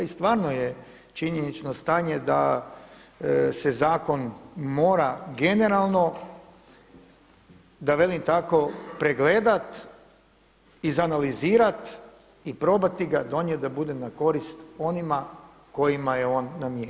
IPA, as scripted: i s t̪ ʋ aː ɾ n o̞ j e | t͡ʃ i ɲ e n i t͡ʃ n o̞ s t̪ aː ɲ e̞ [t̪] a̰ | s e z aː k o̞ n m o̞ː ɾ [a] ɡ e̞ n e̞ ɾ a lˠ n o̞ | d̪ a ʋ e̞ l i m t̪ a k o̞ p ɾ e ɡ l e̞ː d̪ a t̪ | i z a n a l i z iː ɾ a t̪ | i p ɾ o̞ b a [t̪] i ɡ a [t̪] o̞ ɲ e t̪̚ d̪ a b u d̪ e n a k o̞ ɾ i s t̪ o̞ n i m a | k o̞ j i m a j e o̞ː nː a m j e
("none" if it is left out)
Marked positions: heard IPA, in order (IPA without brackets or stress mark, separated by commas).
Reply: d̪, a, t̪, d̪